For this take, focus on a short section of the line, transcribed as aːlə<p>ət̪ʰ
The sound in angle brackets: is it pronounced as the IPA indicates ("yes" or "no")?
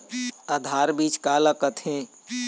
no